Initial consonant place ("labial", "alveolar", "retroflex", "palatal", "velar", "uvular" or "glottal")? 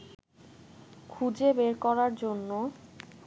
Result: velar